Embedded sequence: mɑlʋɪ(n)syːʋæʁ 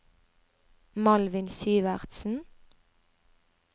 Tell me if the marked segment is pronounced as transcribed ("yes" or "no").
yes